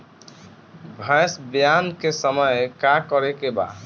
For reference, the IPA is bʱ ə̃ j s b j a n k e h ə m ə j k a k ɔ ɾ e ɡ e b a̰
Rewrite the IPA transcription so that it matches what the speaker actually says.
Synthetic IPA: bʱ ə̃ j s b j a n k e s ə m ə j k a k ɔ ɾ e k e b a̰